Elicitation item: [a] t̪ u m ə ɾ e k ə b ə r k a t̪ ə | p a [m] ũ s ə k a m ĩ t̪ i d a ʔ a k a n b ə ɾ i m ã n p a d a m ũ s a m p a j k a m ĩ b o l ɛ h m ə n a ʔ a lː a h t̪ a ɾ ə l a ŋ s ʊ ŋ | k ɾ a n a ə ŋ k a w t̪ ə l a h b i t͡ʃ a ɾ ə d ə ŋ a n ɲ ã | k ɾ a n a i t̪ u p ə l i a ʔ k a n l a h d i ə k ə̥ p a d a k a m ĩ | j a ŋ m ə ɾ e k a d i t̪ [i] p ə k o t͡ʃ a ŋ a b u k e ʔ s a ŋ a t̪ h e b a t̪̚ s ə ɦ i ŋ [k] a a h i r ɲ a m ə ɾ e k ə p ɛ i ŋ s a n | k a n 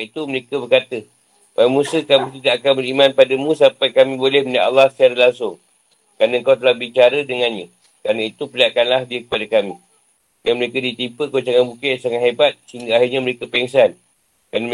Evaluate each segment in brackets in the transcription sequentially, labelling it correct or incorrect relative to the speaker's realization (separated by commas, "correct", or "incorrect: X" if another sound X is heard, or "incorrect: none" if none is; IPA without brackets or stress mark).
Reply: incorrect: i, correct, correct, incorrect: ɡ